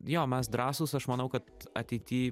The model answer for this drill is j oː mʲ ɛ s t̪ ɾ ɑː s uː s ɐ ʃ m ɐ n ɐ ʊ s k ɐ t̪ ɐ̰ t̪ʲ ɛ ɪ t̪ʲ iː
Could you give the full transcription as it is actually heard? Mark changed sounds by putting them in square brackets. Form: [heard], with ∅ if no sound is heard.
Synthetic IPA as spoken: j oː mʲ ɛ s [d̪] ɾ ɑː s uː s ɐ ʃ m ɐ n ɐ ʊ [∅] k ɐ t̪ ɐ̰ t̪ʲ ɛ ɪ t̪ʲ iː